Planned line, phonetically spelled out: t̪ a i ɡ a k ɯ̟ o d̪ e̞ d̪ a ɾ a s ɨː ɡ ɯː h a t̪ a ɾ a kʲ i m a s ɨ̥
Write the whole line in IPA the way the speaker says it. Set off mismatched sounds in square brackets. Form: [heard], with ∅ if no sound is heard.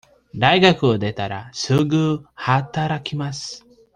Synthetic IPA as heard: [d̪] a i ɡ a k ɯ̟ o d̪ e̞ [t̪] a ɾ a s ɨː ɡ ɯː h a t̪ a ɾ a kʲ i m a s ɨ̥